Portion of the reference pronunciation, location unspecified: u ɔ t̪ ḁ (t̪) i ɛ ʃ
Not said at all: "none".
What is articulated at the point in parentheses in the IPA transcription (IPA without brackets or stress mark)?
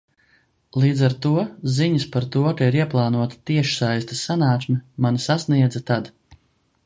t̪